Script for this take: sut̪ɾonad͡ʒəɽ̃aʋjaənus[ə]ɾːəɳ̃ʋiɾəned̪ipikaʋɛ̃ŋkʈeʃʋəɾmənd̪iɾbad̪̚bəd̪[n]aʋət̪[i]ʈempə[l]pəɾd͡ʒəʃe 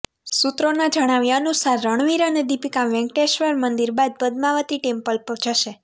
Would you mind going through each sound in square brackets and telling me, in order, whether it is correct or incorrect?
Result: incorrect: a, incorrect: m, correct, correct

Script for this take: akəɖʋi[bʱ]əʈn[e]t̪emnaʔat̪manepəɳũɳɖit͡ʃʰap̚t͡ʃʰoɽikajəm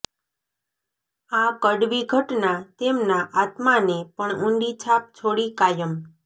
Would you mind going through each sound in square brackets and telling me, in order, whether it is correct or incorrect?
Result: incorrect: ɡʱ, incorrect: a

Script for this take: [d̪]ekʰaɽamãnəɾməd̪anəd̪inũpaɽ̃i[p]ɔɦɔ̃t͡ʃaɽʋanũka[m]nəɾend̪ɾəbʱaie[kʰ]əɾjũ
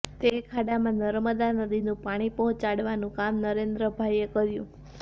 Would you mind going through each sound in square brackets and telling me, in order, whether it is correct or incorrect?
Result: incorrect: t̪, correct, correct, incorrect: k

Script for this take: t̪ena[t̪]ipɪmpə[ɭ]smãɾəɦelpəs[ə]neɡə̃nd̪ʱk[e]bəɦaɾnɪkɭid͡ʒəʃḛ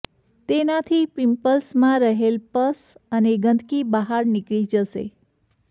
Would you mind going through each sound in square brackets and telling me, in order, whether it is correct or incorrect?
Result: incorrect: t̪ʰ, incorrect: l, correct, incorrect: i

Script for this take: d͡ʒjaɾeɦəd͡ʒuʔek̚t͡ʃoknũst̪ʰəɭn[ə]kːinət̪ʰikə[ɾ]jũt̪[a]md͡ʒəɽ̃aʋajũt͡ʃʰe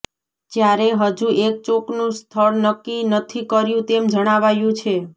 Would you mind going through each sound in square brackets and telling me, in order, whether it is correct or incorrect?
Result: correct, correct, incorrect: e

